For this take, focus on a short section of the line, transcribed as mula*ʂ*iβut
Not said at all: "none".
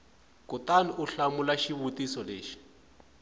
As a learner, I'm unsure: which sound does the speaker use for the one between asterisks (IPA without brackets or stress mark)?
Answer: ʃ